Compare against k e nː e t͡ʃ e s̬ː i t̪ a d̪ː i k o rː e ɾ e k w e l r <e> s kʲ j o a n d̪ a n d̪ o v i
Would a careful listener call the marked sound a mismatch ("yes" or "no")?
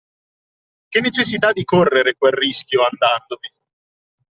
yes